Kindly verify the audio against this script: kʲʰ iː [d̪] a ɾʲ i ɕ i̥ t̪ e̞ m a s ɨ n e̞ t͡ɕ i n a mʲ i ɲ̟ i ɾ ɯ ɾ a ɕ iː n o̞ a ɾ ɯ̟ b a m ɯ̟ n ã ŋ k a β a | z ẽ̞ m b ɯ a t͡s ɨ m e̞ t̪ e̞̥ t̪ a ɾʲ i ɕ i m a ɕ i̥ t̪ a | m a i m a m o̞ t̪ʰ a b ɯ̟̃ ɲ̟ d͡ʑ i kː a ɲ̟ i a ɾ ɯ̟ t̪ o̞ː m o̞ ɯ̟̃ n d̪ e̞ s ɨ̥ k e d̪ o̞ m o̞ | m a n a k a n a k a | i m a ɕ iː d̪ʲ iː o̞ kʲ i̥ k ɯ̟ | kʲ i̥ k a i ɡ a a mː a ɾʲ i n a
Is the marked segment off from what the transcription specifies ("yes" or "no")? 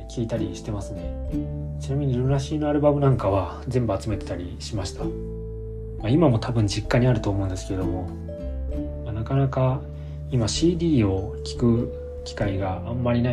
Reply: yes